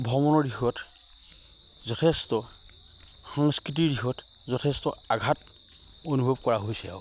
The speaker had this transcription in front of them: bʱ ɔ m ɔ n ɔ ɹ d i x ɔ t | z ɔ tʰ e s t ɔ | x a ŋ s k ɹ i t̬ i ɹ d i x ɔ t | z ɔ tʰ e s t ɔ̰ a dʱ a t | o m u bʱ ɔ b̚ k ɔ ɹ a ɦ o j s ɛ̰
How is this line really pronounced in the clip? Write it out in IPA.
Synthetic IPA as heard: bʱ ɔ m ɔ n ɔ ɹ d i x ɔ t | z ɔ tʰ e s t ɔ | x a ŋ s k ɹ i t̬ i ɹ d i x ɔ t | z ɔ tʰ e s t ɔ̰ a ɡʱ a t | o n u bʱ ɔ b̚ k ɔ ɹ a ɦ o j s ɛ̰